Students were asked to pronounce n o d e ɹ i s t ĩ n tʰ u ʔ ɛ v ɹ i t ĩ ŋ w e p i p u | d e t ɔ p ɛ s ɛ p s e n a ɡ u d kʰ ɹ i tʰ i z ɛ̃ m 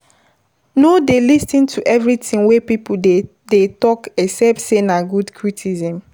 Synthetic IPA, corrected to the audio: n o d e l i s t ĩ n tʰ u ʔ ɛ v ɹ i t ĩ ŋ w e p i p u | d e t ɔ k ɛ s ɛ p s e n a ɡ u d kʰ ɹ i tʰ i z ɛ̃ m